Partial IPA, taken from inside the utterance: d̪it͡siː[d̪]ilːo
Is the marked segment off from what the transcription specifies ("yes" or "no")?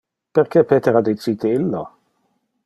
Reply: yes